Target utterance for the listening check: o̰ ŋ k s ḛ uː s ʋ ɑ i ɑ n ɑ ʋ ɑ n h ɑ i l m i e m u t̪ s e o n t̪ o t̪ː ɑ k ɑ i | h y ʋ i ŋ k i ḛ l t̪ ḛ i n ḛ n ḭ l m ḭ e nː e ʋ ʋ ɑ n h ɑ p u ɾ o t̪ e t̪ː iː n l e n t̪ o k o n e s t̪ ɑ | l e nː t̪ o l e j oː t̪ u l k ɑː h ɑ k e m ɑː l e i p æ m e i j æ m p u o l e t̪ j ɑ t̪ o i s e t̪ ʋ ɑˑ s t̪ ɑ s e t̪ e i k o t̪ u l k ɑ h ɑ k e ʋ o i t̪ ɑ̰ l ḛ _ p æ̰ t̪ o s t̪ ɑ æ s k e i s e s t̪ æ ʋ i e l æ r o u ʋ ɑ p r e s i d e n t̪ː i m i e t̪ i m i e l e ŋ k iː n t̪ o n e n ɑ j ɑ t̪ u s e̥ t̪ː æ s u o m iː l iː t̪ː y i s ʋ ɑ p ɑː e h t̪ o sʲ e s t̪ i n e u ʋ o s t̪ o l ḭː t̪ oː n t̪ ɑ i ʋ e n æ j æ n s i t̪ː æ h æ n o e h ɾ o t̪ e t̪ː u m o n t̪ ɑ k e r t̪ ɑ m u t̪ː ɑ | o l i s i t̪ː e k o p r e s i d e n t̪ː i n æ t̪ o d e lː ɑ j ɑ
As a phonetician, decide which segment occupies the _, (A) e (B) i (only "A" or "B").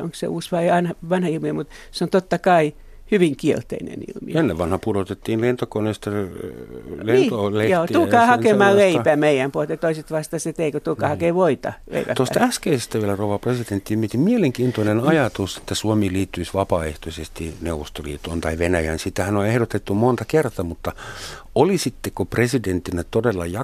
B